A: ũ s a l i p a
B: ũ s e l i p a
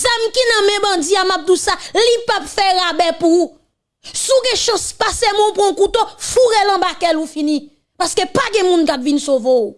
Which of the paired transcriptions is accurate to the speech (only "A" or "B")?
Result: A